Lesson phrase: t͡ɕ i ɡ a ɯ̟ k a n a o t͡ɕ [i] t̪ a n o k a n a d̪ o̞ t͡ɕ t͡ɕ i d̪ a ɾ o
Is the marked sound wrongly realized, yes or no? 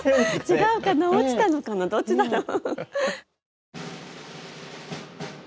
no